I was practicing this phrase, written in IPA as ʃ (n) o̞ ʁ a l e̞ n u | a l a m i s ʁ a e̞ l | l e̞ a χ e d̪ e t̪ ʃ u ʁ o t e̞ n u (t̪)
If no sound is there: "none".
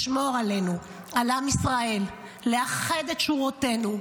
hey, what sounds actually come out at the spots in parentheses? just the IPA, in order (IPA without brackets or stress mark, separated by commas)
m, none